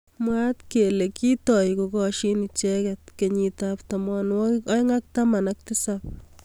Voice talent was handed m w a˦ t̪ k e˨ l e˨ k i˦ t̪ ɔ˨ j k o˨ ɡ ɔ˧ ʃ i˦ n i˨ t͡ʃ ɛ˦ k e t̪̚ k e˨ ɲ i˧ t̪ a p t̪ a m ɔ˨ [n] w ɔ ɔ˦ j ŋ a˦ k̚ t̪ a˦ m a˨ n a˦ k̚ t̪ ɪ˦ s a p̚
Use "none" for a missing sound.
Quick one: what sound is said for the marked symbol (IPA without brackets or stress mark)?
n